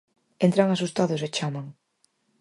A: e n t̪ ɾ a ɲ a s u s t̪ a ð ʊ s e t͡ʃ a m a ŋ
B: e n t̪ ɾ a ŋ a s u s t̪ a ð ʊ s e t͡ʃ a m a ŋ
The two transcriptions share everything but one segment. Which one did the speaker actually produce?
B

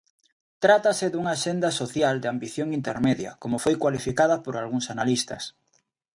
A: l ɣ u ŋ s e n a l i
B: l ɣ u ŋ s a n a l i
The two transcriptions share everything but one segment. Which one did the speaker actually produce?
B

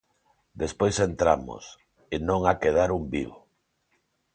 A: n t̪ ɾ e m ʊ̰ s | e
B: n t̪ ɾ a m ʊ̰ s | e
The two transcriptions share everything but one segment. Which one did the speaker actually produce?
B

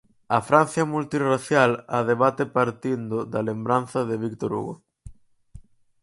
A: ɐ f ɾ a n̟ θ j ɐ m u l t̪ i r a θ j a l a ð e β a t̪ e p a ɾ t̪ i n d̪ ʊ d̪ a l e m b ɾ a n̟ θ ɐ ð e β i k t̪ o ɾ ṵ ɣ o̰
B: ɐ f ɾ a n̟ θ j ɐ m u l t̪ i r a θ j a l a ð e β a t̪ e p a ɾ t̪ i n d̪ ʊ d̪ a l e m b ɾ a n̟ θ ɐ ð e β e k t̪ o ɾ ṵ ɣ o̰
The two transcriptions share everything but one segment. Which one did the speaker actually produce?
A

